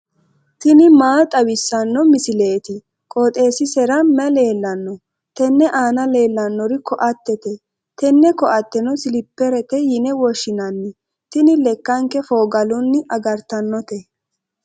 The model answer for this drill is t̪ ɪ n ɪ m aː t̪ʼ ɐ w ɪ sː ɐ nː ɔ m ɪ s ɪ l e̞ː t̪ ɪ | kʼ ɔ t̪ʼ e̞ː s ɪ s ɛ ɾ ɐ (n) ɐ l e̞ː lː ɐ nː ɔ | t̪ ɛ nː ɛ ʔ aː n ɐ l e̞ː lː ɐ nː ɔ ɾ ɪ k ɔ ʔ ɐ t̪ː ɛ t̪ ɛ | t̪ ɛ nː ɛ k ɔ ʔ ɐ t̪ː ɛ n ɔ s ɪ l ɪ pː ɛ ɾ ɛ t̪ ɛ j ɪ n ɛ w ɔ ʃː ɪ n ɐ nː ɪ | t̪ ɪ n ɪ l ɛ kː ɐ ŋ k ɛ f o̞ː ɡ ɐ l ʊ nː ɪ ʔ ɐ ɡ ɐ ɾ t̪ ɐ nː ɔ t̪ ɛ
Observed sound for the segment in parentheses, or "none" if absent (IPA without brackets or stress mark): m